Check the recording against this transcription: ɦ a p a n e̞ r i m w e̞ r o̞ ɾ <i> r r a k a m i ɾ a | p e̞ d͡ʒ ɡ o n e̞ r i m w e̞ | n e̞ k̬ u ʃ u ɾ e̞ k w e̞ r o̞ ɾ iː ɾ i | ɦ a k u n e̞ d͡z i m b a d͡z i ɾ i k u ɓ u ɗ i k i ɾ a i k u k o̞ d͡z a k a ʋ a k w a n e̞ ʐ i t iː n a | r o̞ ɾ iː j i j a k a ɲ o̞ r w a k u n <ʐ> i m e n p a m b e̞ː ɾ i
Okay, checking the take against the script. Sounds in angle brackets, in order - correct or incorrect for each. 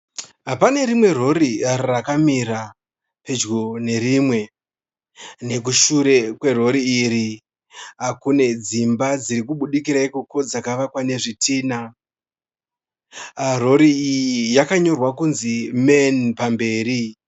correct, incorrect

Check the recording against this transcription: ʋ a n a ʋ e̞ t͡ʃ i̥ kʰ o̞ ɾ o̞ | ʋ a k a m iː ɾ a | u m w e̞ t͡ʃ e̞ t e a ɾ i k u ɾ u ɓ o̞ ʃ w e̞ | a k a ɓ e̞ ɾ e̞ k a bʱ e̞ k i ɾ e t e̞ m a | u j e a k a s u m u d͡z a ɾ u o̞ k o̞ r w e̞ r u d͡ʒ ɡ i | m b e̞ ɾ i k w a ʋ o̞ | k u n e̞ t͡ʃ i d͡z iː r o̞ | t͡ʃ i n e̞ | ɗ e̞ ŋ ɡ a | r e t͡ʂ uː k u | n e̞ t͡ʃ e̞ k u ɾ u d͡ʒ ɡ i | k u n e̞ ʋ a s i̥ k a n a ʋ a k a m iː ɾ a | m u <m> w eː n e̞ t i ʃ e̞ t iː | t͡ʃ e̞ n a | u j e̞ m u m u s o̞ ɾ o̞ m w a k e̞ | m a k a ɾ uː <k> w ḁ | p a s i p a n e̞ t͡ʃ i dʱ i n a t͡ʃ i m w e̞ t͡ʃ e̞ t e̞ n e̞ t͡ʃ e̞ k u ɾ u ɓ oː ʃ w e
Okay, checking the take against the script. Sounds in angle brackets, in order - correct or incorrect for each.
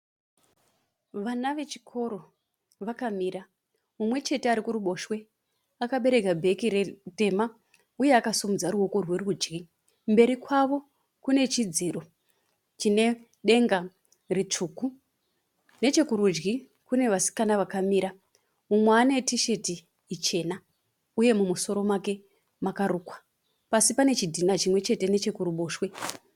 correct, correct

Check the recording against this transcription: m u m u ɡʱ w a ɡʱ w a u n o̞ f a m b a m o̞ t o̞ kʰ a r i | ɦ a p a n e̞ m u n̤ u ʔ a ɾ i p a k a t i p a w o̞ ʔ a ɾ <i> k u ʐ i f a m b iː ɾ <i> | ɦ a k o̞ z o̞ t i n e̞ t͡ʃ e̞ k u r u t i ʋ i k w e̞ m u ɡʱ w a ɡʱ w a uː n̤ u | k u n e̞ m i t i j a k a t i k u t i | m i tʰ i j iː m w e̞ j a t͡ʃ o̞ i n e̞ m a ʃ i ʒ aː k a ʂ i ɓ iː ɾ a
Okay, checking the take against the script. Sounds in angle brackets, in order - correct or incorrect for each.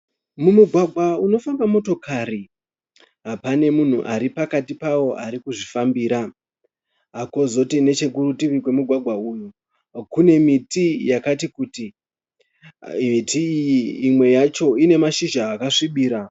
correct, incorrect

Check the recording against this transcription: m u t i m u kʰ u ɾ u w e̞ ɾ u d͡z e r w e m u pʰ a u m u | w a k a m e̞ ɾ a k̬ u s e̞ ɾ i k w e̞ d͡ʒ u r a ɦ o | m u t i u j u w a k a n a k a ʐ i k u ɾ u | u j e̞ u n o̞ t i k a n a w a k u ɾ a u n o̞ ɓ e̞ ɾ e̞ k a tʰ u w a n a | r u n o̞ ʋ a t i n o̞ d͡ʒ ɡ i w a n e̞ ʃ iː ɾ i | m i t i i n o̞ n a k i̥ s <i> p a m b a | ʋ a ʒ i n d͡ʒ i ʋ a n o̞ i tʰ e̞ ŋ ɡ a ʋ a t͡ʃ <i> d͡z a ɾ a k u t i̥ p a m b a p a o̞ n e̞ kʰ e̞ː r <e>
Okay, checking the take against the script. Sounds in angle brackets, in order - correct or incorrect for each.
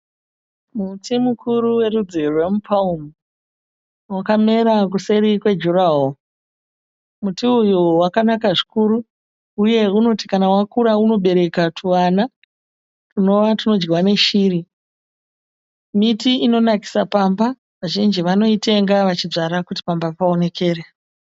incorrect, correct, correct

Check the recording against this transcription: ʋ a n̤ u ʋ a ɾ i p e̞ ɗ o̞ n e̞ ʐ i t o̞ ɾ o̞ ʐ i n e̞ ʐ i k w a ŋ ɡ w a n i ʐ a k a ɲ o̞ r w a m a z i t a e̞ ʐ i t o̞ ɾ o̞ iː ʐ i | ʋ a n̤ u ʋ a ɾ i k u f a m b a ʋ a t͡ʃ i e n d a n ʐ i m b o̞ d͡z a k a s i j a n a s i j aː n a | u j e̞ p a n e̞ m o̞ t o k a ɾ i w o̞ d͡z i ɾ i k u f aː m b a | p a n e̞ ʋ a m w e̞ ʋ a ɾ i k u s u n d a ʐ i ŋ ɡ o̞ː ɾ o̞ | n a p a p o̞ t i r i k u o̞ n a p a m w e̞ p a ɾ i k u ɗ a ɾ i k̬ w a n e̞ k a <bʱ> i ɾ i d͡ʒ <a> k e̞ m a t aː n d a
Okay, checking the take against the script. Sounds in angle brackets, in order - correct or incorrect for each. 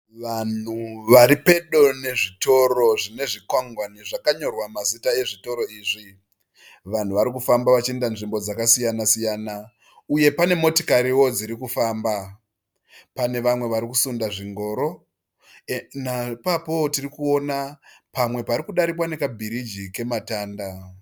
correct, incorrect

